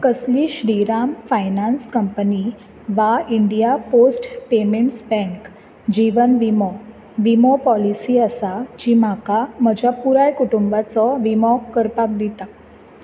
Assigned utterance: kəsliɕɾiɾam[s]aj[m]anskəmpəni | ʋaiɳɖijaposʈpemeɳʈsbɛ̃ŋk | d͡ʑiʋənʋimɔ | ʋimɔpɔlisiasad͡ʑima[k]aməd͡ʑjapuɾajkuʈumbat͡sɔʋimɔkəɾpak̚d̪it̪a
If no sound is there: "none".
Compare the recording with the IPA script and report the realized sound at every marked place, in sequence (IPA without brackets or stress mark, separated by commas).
f, n, k